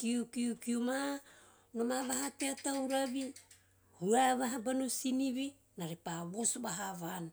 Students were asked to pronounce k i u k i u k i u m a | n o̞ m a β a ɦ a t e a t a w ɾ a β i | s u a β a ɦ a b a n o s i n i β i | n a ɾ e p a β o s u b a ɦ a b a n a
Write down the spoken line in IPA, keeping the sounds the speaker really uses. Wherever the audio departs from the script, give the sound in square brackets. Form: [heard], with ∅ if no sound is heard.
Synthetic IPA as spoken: k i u k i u k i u m a | n o̞ m a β a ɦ a t e a t a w ɾ a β i | [h] u a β a ɦ a b a n o s i n i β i | n a ɾ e p a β o s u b a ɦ a [β] a n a